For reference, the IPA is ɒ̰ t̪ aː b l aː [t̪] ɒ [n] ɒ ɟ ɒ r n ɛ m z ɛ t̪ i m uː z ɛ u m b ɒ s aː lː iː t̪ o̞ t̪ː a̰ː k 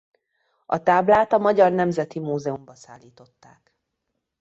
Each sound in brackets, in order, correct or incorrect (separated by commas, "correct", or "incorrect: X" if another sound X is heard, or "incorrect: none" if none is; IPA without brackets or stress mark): correct, incorrect: m